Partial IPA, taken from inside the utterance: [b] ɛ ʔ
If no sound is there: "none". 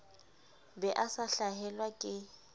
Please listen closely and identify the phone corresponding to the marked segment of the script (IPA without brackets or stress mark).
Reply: b